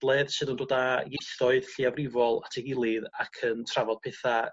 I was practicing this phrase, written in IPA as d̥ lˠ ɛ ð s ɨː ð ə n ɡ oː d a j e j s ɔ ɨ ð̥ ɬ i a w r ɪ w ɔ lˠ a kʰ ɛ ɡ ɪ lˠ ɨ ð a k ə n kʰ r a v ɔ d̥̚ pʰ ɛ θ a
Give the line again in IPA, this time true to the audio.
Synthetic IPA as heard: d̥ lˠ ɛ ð s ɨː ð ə n d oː d a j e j θ ɔ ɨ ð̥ ɬ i a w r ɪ v ɔ lˠ a tʰ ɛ ɡ ɪ lˠ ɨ ð a kʰ ə n tʰ r a v ɔ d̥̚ pʰ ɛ θ a